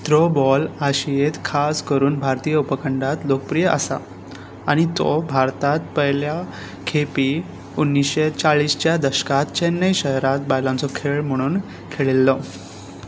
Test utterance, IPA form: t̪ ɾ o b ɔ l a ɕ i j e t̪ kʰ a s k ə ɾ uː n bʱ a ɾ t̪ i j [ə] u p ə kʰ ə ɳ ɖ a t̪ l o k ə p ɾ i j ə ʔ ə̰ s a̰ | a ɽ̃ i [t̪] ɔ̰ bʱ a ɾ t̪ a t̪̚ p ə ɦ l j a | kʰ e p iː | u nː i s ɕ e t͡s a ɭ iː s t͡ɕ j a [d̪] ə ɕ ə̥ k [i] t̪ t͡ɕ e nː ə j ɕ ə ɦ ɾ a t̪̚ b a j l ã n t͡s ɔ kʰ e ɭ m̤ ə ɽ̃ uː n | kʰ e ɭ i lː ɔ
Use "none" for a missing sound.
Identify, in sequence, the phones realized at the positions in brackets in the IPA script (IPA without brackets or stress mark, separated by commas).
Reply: ə, t̪, d̪, a